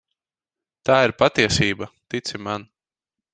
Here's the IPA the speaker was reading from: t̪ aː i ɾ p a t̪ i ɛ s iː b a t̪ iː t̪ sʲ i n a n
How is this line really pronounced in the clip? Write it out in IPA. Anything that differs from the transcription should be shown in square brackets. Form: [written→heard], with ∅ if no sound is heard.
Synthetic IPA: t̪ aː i ɾ p a t̪ i ɛ s iː b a t̪ [iː→i] t̪ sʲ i [n→m] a n